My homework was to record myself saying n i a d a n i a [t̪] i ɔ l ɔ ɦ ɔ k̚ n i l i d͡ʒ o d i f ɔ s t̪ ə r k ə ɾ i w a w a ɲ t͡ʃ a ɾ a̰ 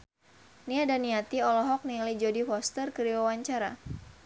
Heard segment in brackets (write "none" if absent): t̪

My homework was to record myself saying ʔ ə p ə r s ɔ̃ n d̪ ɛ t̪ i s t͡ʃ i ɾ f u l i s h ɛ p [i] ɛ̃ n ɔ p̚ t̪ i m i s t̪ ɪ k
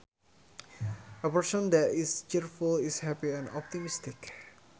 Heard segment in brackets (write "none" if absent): i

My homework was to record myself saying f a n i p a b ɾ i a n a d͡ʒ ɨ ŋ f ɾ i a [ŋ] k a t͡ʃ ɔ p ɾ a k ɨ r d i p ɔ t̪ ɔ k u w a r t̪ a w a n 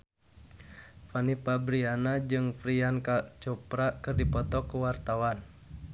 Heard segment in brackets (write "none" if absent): n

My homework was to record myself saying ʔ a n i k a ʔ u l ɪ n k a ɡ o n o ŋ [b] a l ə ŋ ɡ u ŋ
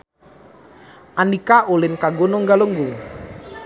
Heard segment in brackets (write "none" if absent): ɡ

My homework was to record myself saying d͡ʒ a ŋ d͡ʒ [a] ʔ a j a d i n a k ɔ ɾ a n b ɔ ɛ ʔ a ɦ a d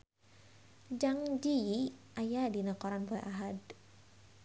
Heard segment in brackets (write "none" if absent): i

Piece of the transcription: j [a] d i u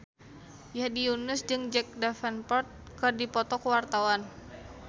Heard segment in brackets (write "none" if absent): a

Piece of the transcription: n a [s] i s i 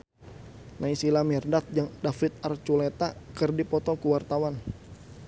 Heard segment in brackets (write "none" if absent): none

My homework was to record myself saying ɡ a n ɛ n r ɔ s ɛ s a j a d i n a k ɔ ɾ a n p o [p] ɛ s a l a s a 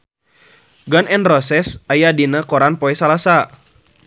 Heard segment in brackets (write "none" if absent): none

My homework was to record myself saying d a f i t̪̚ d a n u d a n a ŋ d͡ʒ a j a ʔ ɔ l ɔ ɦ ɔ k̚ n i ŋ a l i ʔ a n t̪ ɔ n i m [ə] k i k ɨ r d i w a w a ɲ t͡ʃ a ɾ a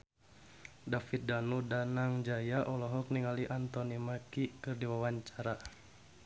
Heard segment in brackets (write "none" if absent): a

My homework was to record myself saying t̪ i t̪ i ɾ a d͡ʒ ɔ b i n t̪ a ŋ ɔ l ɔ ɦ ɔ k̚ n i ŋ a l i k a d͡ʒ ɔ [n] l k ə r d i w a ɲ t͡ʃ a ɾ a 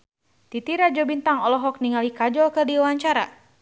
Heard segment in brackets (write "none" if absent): none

